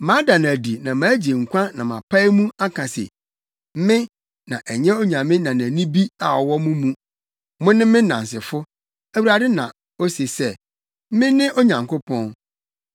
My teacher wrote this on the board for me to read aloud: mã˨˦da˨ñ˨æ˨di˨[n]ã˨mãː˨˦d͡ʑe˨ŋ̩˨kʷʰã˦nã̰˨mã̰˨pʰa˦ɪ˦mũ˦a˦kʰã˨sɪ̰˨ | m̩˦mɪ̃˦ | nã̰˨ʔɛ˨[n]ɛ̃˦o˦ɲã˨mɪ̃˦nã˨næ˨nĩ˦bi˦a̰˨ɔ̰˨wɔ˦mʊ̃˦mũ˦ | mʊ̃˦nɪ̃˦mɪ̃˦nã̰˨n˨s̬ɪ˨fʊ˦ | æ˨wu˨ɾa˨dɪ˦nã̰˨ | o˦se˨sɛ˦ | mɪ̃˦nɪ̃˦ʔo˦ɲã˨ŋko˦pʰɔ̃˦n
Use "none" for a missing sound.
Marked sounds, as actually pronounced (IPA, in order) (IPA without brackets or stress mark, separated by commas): n, ɲ